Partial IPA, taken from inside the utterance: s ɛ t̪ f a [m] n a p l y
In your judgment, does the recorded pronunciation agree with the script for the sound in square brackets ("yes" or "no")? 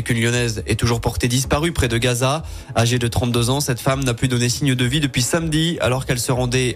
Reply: yes